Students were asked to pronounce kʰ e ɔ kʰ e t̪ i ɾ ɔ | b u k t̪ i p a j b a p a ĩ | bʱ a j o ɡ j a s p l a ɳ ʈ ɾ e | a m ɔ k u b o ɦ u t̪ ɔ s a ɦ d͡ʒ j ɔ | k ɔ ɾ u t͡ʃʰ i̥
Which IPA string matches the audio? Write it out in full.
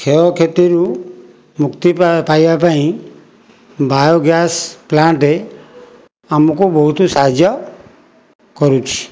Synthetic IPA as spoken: kʰ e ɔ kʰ e t̪ i ɾ u | m u k t̪ i p a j b a p a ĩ | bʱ a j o ɡ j a s p l a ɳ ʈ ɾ e | a m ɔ k u b ɔ ɦ u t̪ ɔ s a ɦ d͡ʒ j ɔ | k ɔ ɾ u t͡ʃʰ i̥